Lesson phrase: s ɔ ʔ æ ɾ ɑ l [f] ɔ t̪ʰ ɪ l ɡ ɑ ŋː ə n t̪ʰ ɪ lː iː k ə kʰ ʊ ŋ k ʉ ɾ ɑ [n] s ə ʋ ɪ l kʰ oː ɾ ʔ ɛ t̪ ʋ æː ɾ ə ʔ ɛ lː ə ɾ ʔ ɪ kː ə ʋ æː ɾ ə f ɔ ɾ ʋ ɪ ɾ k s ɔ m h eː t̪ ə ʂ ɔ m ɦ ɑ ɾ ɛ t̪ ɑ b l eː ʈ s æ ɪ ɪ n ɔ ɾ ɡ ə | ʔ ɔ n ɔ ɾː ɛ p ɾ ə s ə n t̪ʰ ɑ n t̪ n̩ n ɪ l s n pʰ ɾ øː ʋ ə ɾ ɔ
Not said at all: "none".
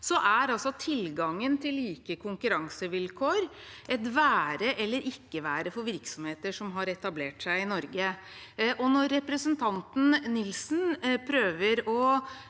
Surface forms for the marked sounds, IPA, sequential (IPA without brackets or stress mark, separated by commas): s, ŋ